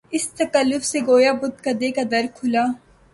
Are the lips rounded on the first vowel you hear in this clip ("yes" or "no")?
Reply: no